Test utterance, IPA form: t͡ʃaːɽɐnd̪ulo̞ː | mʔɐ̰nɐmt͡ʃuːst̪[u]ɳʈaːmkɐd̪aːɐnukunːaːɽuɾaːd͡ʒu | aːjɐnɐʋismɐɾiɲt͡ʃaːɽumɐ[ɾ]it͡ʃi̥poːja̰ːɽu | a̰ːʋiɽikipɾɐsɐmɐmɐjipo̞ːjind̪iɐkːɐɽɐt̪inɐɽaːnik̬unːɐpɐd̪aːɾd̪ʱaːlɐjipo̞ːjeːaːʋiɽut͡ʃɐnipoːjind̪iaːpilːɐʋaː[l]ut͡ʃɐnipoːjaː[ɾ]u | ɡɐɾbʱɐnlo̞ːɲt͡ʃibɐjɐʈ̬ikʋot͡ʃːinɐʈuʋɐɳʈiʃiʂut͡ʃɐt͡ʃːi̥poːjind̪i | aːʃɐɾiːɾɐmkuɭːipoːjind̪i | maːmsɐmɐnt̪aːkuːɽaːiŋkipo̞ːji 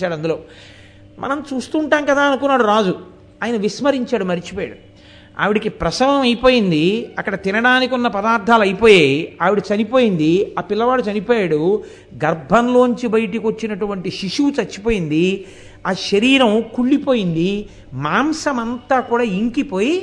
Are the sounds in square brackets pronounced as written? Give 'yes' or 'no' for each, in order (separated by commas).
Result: no, yes, no, no